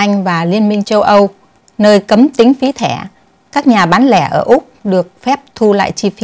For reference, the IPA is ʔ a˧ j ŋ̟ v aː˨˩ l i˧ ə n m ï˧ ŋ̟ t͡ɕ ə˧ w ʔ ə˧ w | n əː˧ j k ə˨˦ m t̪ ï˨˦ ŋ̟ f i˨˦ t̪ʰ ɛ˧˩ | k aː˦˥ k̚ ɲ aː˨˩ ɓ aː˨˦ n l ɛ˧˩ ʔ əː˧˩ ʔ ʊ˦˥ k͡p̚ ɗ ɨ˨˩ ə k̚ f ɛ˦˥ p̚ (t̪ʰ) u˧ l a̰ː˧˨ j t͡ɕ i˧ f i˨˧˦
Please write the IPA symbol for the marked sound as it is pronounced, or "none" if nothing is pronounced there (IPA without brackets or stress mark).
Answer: t̪ʰ